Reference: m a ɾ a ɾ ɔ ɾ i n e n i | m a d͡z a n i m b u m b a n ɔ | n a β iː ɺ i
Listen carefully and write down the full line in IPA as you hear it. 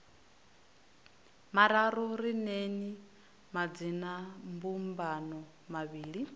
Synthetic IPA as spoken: m a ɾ a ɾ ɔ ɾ i n e n i | m a d͡z i n a m b u m b a n ɔ | m a β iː ɺ i

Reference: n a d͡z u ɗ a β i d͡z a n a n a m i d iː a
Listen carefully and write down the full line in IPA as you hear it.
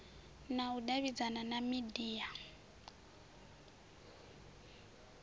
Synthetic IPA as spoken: n a u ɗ a β i d͡z a n a n a m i d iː a

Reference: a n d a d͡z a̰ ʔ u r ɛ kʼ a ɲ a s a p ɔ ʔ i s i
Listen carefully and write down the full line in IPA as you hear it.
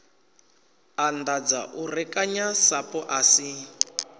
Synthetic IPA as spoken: a n d a d͡z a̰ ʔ u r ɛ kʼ a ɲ a s a p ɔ ʔ a s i

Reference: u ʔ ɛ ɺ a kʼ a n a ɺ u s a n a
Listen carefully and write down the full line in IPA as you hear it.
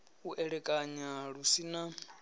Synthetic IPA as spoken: u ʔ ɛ ɺ ɛ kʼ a ɲ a ɺ u s i n a

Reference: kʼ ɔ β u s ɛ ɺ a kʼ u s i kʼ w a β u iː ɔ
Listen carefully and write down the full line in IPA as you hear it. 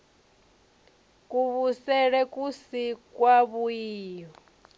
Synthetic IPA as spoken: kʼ u β u s ɛ ɺ ɛ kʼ u s i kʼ w a β u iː ɔ

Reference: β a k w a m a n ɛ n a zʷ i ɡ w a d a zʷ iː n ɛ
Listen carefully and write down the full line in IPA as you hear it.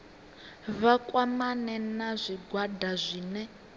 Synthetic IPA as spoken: β a k w a m a n ɛ n a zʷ i ɡ w a d a zʷ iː n ɛ

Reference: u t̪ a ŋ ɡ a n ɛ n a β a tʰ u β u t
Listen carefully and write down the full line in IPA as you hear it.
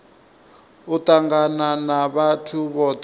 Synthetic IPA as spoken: u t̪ a ŋ ɡ a n a n a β a tʰ u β ɔ t

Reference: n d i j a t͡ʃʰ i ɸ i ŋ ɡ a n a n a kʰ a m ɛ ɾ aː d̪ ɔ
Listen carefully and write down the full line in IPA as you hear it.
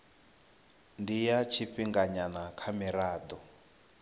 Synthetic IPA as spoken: n d i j a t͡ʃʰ i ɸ i ŋ ɡ a ɲ a n a kʰ a m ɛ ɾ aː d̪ ɔ

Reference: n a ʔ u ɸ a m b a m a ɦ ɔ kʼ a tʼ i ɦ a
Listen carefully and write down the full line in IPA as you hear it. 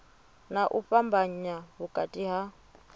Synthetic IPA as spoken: n a ʔ u ɸ a m b a ɲ a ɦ u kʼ a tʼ i ɦ a

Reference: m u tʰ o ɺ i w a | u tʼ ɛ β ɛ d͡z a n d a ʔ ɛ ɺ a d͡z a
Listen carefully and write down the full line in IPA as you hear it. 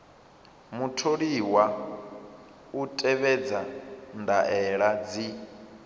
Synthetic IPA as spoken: m u tʰ o ɺ i w a | u tʼ ɛ β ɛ d͡z a n d a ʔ ɛ ɺ a d͡z i

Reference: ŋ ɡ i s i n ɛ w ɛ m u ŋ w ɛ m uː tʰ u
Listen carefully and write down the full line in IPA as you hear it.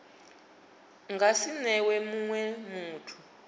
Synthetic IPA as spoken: ŋ ɡ a s i n ɛ w ɛ m u ŋ w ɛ m uː tʰ u

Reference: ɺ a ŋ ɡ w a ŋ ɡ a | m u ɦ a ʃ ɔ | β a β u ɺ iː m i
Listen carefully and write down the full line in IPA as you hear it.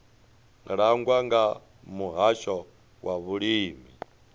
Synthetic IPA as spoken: ɺ a ŋ ɡ w a ŋ ɡ a | m u ɦ a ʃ ɔ | w a β u ɺ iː m i

